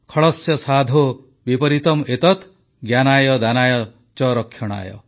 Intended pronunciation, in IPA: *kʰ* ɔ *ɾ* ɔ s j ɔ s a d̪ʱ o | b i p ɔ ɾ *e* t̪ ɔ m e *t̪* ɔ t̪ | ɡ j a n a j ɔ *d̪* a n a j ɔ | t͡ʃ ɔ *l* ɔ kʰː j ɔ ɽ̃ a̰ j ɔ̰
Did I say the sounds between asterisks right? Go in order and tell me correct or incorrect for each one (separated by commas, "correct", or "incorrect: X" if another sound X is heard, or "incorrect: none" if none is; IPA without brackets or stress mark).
correct, incorrect: ɭ, incorrect: i, correct, correct, incorrect: ɾ